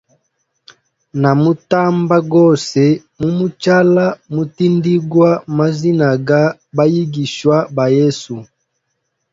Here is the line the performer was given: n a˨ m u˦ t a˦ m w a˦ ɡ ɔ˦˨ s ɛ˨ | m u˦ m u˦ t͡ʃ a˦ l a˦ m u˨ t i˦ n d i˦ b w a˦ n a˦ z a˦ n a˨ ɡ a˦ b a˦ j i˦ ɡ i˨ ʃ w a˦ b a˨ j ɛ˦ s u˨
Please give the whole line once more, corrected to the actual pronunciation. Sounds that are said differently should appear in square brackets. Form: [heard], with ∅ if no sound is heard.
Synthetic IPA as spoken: n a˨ m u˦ t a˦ m [b] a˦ ɡ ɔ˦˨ s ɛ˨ | m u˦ m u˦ t͡ʃ a˦ l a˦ m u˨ t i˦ n d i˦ [ɡ] w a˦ [m] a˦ z [i˦] n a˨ ɡ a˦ b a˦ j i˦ ɡ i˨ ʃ w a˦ b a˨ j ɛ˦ s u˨

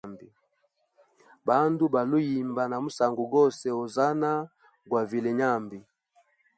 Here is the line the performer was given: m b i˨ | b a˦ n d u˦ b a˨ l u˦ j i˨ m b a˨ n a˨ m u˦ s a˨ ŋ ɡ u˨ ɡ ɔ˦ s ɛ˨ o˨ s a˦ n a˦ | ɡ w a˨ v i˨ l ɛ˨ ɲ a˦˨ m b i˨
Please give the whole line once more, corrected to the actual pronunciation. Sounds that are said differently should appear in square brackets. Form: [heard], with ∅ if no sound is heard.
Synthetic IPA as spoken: m b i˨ | b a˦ n d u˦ b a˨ l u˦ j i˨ m b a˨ n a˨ m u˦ s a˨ ŋ ɡ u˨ ɡ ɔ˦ s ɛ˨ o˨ [z] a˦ n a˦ | ɡ w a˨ v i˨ l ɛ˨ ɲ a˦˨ m b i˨

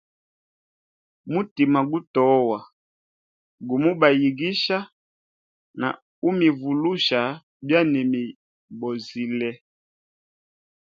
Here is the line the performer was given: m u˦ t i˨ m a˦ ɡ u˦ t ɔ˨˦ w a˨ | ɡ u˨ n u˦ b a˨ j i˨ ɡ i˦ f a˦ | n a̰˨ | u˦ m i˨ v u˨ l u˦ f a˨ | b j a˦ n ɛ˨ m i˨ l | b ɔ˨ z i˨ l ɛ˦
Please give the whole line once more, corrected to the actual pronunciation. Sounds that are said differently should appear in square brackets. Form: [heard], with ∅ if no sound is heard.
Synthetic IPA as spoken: m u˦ t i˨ m [a˨] ɡ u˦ t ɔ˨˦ w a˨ | ɡ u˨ [m] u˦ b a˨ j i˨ ɡ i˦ [ʃ] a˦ | n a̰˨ | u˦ m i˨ v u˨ l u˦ [ʃ] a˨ | b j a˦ n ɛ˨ m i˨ [∅] | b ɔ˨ z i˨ l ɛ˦

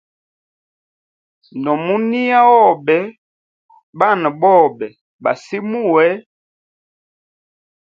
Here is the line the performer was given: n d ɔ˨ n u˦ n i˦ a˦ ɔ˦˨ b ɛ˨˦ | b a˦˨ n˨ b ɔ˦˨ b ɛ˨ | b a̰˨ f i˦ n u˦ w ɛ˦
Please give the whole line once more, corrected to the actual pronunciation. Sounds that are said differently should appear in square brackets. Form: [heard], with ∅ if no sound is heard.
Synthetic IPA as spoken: n d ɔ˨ [m] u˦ n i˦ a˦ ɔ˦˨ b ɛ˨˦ | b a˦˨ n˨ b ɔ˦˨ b ɛ˨ | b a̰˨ [s] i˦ [m] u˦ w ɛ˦

